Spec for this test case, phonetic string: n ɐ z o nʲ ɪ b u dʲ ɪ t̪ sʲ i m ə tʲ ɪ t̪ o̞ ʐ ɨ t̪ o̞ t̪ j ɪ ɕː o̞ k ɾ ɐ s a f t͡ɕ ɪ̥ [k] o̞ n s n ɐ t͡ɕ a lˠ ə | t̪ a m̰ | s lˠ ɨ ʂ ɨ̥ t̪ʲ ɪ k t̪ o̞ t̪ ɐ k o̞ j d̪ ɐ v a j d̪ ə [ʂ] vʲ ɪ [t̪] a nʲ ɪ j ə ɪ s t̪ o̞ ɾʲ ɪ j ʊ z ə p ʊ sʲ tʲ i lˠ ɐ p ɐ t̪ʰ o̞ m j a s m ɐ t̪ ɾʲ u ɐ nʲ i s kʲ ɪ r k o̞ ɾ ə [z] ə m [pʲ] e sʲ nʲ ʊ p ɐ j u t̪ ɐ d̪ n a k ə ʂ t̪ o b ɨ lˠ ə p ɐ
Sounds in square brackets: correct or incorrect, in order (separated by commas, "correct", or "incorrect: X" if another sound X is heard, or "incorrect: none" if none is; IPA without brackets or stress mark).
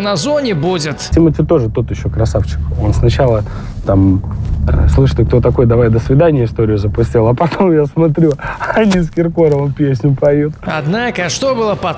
correct, incorrect: s, incorrect: d̪, incorrect: v, correct